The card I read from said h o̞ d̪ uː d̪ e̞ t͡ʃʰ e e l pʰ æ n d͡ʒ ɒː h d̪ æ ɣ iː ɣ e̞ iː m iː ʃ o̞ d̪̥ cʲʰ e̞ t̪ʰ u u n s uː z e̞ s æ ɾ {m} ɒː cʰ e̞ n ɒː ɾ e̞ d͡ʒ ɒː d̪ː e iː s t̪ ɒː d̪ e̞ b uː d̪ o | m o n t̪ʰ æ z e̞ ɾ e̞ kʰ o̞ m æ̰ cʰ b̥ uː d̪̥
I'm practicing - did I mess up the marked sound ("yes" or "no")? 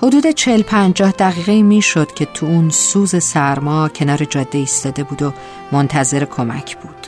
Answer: no